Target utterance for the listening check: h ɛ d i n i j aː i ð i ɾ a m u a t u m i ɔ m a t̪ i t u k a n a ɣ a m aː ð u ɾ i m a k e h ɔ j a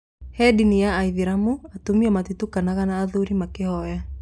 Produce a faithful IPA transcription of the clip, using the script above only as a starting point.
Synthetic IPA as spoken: h ɛ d i n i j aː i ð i ɾ a m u a t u m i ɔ m a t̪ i t u k a n a ɣ a n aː ð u ɾ i m a k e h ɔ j a